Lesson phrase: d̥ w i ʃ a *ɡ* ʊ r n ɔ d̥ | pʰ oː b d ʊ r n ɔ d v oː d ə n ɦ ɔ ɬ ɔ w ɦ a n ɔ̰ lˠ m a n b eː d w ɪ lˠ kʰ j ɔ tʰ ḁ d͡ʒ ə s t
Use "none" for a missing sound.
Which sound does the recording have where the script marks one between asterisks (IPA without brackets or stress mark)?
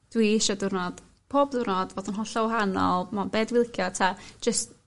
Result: d